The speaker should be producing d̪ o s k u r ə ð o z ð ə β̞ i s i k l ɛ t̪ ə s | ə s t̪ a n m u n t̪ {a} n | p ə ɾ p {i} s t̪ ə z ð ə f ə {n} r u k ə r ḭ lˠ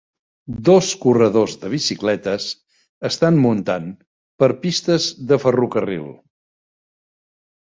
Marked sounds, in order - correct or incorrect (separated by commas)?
correct, correct, incorrect